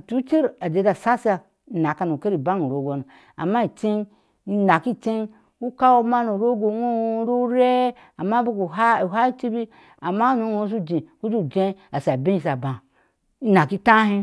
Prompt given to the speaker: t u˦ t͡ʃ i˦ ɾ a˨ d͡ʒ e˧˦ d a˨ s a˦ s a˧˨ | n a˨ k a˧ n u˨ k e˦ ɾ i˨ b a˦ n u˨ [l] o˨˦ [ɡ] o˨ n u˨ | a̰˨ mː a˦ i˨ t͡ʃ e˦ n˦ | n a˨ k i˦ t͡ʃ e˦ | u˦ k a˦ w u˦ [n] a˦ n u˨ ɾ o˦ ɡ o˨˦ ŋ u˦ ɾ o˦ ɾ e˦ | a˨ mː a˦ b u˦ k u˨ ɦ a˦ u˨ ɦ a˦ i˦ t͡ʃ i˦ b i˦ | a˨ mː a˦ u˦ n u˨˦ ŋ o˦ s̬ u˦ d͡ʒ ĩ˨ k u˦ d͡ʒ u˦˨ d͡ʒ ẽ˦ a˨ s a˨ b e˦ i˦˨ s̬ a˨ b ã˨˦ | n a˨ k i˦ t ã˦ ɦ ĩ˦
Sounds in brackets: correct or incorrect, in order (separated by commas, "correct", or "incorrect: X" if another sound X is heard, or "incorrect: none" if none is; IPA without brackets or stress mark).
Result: incorrect: ɾ, correct, incorrect: m